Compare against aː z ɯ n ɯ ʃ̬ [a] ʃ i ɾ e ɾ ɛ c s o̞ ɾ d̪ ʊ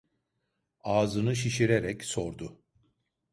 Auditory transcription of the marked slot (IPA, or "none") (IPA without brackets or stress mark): i